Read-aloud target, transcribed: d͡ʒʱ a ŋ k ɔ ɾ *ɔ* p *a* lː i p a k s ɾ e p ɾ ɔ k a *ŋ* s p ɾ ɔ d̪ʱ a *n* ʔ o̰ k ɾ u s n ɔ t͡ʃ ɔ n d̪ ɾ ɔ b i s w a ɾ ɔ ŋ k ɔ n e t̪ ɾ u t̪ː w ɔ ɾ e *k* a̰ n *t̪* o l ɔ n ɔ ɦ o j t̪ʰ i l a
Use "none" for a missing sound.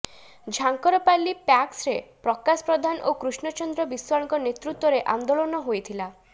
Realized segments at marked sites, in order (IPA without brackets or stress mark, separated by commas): ɔ, a, none, n, ʔ, d̪